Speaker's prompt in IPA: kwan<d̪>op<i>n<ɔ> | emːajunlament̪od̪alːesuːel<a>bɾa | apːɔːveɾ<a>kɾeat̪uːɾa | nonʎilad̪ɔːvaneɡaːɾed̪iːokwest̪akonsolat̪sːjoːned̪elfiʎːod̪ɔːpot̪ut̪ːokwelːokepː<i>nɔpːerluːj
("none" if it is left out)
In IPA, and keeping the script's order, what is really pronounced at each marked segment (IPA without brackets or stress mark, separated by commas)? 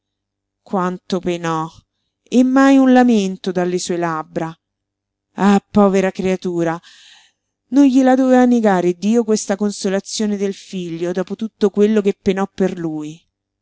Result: t̪, e, ɔ, a, a, e